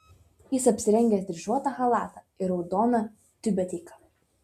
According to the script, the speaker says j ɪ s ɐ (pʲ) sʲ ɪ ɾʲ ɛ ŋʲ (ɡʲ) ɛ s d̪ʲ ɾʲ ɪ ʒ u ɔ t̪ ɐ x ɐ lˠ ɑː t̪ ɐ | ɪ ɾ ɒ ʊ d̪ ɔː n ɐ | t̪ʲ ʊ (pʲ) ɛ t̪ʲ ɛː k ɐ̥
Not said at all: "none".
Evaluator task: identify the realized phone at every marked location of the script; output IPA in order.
pʲ, ɡʲ, bʲ

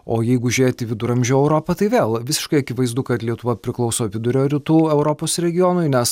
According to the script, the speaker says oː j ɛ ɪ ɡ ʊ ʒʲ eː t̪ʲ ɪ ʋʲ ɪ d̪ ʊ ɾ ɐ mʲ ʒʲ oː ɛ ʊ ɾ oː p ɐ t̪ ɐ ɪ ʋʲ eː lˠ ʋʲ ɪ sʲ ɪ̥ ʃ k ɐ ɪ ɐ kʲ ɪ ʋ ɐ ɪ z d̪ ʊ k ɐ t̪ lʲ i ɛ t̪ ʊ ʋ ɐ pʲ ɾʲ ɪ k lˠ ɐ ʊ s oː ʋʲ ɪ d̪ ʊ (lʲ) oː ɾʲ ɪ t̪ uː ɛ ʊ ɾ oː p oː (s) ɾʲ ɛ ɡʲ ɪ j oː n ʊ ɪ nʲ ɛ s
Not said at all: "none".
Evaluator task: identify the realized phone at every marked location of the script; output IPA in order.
ɾʲ, s

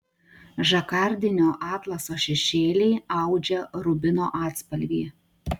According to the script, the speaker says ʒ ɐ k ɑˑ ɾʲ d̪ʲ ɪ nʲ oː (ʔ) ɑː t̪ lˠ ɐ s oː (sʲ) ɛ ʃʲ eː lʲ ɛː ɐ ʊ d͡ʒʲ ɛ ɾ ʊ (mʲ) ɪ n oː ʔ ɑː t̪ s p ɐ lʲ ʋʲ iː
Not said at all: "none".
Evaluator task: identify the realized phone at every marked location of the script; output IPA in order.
ʔ, ʃʲ, bʲ

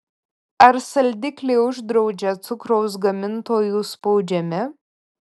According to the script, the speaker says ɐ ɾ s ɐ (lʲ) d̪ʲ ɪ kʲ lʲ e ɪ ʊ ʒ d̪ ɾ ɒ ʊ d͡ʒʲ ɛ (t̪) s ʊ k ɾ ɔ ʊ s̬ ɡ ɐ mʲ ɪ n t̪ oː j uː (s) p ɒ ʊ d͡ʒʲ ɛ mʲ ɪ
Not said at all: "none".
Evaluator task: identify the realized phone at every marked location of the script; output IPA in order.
lʲ, t̪, s

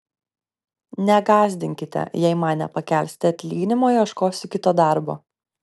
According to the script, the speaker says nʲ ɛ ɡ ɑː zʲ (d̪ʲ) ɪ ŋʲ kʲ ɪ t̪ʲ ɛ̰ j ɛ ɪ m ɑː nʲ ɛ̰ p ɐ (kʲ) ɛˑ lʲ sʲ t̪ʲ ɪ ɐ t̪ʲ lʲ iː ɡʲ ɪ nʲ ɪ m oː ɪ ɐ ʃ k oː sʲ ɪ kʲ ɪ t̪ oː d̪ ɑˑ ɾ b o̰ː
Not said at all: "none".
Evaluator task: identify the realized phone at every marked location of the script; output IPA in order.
d̪ʲ, kʲ

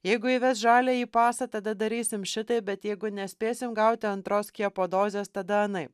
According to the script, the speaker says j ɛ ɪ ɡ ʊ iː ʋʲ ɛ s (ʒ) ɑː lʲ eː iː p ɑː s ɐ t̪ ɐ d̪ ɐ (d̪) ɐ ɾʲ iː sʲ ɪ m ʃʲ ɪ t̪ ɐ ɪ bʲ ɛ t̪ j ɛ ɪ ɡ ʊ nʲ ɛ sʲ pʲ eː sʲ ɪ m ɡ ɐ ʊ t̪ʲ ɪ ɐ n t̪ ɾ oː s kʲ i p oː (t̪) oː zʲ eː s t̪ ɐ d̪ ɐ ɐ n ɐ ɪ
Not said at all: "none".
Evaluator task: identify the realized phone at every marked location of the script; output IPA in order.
ʒ, d̪, d̪

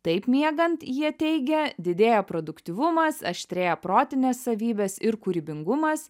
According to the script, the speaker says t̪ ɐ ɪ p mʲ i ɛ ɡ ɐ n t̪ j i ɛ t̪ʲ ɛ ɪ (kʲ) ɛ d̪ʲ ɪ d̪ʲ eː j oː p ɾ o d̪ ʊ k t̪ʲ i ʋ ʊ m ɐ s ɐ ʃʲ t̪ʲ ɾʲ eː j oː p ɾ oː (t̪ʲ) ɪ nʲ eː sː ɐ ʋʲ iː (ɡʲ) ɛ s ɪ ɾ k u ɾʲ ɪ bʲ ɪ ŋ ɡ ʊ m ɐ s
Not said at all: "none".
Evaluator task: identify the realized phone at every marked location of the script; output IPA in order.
ɡʲ, t̪ʲ, bʲ

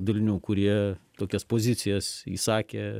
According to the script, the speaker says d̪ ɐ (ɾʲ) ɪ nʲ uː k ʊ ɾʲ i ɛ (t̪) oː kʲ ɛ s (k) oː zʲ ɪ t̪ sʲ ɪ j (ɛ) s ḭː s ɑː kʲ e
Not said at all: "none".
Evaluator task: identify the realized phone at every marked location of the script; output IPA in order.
lʲ, t̪, p, ɛ

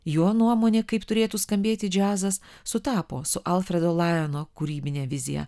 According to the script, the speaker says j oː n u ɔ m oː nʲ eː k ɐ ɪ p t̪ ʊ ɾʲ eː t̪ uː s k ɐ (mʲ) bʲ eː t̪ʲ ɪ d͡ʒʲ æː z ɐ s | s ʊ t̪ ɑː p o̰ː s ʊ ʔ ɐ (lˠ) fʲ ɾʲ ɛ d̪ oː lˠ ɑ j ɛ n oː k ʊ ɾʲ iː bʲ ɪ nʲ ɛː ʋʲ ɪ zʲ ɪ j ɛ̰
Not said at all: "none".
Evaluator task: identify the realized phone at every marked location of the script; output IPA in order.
mʲ, lˠ

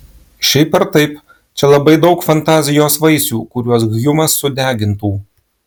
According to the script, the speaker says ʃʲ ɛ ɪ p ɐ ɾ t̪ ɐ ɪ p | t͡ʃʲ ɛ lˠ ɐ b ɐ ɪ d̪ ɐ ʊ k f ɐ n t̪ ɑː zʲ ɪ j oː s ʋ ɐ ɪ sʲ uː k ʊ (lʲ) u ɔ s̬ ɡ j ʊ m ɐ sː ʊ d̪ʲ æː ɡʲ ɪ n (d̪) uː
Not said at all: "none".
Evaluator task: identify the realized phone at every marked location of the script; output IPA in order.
ɾʲ, t̪

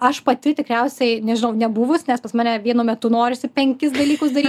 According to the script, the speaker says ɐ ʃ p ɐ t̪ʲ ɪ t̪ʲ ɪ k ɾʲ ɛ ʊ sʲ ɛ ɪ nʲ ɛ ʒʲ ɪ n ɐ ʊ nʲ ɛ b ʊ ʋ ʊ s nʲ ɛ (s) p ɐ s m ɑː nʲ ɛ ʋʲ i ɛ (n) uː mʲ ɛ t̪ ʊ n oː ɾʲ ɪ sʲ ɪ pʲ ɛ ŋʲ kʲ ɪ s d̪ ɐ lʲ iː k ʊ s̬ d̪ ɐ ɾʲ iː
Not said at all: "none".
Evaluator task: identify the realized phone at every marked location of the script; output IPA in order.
s, n

